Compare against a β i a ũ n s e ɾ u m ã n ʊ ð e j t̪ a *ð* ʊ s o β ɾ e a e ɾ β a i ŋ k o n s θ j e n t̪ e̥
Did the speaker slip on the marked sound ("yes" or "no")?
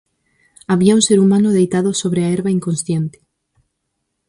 no